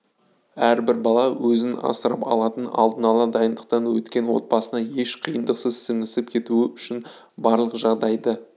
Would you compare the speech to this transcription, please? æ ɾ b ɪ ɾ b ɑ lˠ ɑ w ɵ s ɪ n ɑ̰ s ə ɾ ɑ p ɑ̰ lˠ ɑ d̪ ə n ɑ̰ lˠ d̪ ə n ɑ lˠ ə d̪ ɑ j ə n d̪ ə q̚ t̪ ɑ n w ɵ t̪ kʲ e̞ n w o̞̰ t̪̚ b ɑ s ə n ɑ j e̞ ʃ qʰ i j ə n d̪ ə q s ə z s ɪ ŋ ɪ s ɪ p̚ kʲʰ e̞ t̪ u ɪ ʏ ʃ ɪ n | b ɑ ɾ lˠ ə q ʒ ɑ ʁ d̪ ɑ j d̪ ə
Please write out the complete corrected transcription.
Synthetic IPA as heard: æ ɾ b ɪ ɾ b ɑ lˠ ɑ w ɵ z ɪ n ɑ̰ s ə ɾ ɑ p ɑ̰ lˠ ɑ t̪ ə n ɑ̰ lˠ d̪ ə n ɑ lˠ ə d̪ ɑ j ə n d̪ ə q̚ t̪ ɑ n w ɵ t̪ kʲ e̞ n w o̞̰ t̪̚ b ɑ s ə n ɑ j e̞ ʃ qʰ i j ə n d̪ ə q s ə z s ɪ ŋ ɪ s ɪ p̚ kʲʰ e̞ t̪ u ɪ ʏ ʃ ɪ n | b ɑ ɾ lˠ ə q ʒ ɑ ʁ d̪ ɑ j d̪ ə

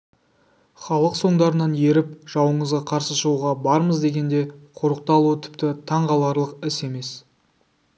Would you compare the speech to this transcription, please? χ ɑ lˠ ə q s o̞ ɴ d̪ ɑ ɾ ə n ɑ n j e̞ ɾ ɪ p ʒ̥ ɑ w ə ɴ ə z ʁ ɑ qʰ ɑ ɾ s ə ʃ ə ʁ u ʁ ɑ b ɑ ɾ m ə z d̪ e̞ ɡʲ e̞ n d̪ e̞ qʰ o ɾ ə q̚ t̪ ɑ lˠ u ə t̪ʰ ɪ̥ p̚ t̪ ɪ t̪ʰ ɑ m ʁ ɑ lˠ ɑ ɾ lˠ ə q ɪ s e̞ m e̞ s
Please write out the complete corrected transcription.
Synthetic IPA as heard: χ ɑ lˠ ə q s o̞ ɴ d̪ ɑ ɾ ə n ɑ n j e̞ ɾ ɪ p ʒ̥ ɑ w ə ɴ ə z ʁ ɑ qʰ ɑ ɾ s ə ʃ ə ʁ u ʁ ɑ b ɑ ɾ m ə z d̪ e̞ ɡʲ e̞ n d̪ e̞ qʰ o ɾ ə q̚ t̪ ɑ lˠ u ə t̪ʰ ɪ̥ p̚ t̪ ɪ t̪ʰ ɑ ɴ ʁ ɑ lˠ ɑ ɾ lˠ ə q ɪ s e̞ m e̞ s

